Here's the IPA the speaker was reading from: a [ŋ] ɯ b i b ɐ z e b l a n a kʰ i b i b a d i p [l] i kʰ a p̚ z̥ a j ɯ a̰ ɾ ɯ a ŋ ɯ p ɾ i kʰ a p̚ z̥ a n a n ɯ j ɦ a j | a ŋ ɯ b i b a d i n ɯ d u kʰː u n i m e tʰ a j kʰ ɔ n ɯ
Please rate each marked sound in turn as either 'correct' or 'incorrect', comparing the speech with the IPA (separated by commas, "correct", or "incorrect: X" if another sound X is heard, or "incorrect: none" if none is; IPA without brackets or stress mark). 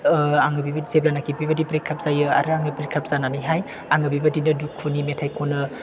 correct, incorrect: ɾ